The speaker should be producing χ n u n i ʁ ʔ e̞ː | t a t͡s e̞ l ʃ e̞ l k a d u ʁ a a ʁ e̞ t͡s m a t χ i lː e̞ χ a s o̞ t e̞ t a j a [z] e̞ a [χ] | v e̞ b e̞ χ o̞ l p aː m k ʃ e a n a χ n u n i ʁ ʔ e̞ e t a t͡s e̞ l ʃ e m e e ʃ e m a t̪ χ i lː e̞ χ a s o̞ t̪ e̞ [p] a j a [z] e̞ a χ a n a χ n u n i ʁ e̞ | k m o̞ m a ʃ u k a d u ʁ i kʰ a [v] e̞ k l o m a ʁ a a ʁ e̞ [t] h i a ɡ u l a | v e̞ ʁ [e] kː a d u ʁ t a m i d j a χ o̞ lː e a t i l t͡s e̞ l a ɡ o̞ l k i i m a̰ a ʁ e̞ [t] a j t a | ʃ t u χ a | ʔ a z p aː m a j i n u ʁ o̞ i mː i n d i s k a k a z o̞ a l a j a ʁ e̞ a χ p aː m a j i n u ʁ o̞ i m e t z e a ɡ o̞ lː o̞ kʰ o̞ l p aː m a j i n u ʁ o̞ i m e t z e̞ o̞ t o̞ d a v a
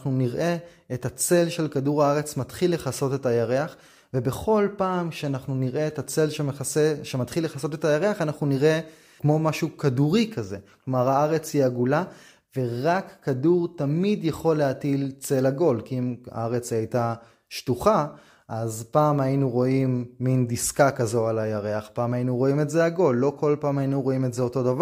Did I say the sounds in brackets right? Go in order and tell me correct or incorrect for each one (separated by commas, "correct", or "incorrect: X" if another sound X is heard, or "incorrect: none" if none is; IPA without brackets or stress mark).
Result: incorrect: ʁ, correct, incorrect: t, incorrect: ʁ, incorrect: z, incorrect: t͡s, incorrect: a, incorrect: t͡s